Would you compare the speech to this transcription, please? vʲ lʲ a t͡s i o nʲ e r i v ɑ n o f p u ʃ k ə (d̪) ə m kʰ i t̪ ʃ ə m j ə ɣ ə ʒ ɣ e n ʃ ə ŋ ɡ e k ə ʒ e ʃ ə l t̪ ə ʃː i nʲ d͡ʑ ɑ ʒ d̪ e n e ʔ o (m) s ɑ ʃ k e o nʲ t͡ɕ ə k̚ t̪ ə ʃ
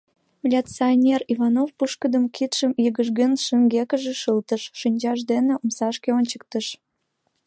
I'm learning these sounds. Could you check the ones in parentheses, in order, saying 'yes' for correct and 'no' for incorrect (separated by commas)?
yes, yes